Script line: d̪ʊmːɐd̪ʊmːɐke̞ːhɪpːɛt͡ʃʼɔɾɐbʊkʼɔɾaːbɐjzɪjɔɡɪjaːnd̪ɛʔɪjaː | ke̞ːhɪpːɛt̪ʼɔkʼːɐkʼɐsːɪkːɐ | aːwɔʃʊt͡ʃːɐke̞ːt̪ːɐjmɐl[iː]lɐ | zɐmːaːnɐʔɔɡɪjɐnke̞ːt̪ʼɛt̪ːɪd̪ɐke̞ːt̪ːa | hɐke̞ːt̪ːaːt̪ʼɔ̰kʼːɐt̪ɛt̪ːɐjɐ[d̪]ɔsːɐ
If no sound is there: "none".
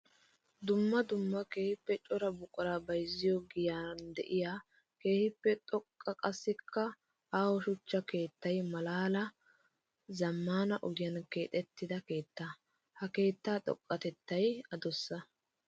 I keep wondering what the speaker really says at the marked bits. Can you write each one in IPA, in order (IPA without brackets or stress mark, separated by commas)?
aː, d̪